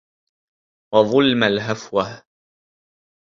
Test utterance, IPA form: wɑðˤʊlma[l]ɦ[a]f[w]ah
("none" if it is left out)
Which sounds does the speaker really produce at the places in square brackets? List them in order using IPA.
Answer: l, a, w

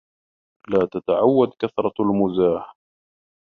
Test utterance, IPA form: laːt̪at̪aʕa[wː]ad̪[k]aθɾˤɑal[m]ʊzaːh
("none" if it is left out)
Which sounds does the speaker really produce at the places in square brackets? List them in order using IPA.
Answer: wː, k, m

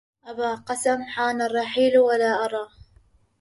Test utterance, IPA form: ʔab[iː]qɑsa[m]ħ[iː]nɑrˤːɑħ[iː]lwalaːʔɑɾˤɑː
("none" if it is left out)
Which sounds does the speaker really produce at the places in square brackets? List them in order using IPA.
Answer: aː, m, aː, iː

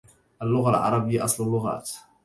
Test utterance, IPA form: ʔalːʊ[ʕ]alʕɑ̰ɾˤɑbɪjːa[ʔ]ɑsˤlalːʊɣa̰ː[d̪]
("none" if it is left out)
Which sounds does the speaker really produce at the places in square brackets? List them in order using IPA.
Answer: ɣ, ʔ, t̪

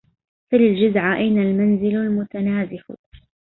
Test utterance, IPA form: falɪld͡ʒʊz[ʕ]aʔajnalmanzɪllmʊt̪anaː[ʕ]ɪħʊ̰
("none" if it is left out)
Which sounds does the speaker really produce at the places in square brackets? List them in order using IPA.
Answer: ʕ, z

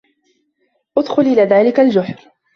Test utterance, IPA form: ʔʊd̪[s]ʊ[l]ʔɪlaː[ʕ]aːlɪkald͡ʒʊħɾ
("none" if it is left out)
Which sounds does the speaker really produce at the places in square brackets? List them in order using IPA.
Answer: x, l, ð

